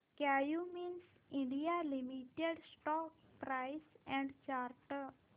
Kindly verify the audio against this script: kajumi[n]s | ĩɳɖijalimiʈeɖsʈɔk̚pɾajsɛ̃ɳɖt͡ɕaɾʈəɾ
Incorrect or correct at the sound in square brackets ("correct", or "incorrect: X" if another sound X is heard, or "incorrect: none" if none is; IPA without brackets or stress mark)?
correct